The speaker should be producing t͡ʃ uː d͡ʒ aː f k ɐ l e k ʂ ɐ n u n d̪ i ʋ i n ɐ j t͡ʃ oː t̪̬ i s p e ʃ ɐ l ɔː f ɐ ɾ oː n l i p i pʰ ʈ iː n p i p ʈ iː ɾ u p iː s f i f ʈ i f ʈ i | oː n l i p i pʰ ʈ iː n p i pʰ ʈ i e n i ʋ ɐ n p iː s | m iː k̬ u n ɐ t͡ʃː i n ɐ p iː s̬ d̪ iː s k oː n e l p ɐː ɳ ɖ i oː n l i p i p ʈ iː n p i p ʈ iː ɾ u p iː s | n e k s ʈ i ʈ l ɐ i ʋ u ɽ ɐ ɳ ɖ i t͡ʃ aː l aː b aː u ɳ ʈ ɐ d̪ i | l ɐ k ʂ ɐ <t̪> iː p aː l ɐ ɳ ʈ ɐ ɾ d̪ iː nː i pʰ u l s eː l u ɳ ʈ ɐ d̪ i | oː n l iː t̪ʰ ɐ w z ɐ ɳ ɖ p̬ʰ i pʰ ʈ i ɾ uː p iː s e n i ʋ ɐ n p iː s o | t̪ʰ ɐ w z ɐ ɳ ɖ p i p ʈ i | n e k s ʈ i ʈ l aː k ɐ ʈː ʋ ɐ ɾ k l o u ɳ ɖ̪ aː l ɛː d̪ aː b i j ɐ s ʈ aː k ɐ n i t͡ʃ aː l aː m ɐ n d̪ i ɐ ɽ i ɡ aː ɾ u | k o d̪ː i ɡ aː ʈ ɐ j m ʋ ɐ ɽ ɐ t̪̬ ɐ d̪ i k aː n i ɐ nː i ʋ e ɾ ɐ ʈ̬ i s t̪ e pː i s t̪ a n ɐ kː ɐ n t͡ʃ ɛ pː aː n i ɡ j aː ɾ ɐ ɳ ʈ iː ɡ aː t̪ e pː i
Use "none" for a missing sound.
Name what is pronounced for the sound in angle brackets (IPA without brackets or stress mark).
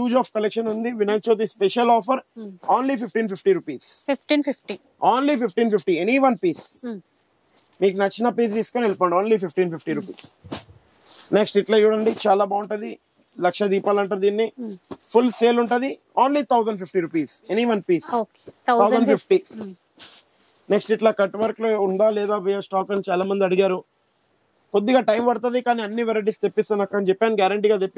d̪